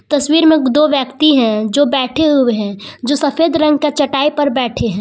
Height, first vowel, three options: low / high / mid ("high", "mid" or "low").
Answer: low